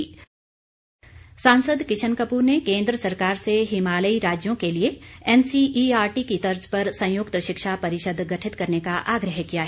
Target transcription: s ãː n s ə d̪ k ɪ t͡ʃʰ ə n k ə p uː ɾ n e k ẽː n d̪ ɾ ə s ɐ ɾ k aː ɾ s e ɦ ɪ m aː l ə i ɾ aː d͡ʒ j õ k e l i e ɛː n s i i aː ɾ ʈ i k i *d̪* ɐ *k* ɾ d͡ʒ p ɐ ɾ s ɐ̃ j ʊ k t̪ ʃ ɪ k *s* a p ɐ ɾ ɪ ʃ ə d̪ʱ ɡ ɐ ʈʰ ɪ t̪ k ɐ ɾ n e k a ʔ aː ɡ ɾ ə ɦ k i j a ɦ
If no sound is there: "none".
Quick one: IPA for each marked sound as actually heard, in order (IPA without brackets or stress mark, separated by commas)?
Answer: t̪, none, ʃ